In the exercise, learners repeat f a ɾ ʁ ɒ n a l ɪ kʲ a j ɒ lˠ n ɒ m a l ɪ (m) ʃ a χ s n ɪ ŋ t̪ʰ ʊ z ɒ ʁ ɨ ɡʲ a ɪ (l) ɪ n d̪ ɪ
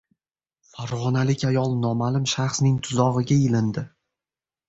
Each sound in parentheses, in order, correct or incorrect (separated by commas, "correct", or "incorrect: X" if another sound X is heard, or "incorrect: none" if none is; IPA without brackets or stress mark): correct, correct